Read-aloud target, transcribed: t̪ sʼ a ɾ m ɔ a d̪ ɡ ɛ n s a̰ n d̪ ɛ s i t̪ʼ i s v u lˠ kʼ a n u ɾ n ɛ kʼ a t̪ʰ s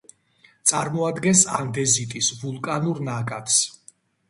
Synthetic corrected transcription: t̪ sʼ a ɾ m ɔ a d̪ ɡ ɛ n s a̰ n d̪ ɛ z i t̪ʼ i s v u lˠ kʼ a n u ɾ n a kʼ a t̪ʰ s